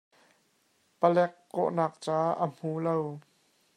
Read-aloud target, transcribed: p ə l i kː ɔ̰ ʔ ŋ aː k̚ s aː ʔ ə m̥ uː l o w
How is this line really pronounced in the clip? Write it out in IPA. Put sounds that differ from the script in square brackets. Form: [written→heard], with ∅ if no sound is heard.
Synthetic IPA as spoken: p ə l [i→ɛ] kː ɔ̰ ʔ [ŋ→n] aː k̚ [s→t͡s] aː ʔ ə m̥ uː l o w